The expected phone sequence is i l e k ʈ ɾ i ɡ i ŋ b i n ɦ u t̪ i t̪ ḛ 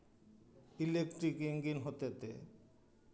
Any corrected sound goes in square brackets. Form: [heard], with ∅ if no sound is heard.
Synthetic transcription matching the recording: i l e k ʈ ɾ i [k] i ŋ [ɡ] i n ɦ [o] t̪ [e] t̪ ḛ